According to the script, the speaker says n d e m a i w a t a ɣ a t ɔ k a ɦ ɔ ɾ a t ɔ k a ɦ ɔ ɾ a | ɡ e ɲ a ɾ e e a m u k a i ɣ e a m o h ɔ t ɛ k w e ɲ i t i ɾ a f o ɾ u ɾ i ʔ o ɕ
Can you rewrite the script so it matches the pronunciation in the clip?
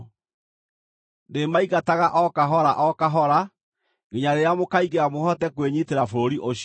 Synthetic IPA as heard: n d e m a i ɣ a t a ɣ a ʔ ɔ k a ɦ ɔ ɾ a ʔ ɔ k a ɦ ɔ ɾ a | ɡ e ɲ a ɾ e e a m o k a i ɣ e a m o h ɔ t ɛ k w e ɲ i t e ɾ a f o ɾ o ɾ i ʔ o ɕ